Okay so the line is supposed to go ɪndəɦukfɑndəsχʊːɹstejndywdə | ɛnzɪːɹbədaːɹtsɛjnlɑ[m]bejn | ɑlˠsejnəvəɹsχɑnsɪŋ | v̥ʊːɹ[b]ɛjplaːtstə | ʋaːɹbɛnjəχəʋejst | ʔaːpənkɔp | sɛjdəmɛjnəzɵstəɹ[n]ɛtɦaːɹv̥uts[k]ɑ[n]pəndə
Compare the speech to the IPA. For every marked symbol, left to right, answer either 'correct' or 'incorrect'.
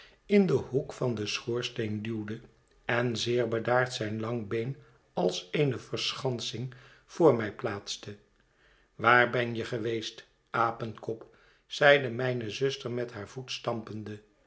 incorrect, incorrect, incorrect, incorrect, incorrect

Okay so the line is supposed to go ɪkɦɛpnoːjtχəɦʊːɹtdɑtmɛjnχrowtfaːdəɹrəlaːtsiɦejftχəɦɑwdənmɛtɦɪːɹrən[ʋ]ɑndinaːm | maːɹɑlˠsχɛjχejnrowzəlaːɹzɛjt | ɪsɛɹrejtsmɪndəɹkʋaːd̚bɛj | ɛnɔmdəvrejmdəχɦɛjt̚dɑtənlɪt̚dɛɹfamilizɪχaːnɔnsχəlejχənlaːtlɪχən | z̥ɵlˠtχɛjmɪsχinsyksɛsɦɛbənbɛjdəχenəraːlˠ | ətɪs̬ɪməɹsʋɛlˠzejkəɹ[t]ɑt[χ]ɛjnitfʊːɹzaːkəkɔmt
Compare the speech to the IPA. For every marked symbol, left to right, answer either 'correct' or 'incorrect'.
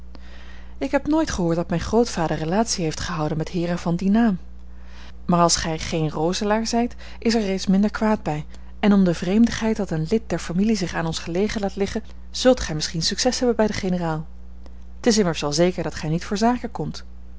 incorrect, incorrect, correct

